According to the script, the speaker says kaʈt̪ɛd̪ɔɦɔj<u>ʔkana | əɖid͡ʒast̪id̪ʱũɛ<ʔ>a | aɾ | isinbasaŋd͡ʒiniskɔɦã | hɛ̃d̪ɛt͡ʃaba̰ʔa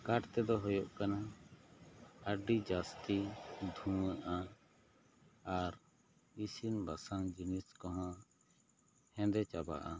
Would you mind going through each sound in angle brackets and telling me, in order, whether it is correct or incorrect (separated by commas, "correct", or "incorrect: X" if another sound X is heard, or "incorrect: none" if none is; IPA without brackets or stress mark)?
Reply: incorrect: ɔ, correct